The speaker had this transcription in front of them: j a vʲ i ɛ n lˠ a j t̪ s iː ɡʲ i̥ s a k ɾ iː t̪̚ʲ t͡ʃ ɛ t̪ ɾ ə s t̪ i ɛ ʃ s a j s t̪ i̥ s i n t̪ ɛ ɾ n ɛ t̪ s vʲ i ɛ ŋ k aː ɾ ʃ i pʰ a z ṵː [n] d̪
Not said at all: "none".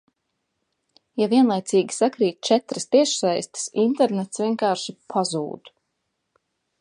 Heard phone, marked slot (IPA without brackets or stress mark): none